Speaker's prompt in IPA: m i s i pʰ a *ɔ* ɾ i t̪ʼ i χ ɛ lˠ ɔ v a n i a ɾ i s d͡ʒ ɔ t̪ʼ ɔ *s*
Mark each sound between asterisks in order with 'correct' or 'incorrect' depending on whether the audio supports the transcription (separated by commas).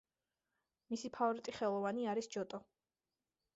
correct, incorrect